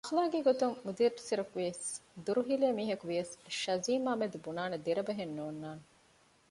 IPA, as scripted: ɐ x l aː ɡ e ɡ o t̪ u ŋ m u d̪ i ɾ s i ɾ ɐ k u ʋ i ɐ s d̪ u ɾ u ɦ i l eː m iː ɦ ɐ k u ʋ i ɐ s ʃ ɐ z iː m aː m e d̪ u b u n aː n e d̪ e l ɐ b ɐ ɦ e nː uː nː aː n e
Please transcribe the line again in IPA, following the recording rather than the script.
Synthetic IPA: ɐ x l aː ɡ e ɡ o t̪ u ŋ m u d̪ i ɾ s i ɾ ɐ k u ʋ i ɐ s d̪ u ɾ u ɦ i l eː m iː ɦ ɐ k u ʋ i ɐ s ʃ ɐ z iː m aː m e d̪ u b u n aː n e d̪ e ɾ ɐ b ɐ ɦ e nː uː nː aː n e